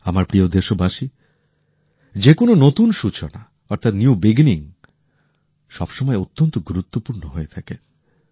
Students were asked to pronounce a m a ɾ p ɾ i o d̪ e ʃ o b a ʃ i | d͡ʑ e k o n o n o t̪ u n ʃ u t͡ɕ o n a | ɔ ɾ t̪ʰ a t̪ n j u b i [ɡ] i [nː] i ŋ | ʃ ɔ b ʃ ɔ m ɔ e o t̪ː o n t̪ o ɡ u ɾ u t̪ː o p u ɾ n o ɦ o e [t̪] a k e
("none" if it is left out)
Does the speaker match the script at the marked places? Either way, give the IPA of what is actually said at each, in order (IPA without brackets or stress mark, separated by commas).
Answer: ɡ, n, t̪ʰ